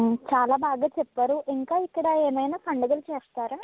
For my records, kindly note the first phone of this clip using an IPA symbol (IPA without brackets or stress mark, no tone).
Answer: t͡ʃ